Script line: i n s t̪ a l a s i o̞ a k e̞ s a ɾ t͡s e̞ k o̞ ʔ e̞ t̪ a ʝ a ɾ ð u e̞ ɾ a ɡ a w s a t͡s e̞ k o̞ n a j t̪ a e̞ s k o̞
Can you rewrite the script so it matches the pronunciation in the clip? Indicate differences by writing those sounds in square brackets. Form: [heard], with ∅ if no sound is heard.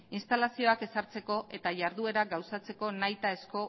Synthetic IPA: i n s t̪ a l a s i o̞ a k e̞ s a ɾ t͡s e̞ k o̞ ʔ e̞ t̪ a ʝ a ɾ ð u e̞ ɾ a ɡ a w s a t͡s e̞ k o̞ n a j t̪ a e̞ s k o̞